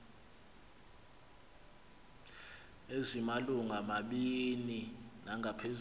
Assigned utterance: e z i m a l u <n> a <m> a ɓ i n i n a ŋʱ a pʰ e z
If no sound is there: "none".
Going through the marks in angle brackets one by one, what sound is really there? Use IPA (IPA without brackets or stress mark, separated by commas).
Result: ŋ, m